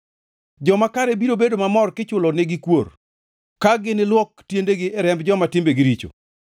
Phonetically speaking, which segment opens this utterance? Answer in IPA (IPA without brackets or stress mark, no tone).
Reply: d͡ʒ